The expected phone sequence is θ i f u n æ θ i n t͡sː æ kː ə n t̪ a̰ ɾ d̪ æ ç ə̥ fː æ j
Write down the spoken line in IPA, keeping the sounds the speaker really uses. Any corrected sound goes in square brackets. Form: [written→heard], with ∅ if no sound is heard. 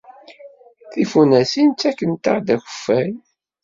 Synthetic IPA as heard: θ i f u n æ [θ→s] i n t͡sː æ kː ə n t̪ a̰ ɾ d̪ æ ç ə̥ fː æ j